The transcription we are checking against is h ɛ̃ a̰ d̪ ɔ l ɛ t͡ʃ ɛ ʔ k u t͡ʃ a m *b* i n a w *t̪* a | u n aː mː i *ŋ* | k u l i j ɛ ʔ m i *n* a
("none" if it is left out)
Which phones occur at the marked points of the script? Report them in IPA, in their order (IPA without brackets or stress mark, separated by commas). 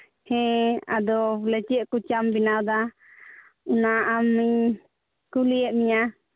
b, d̪, ɲ, ɲ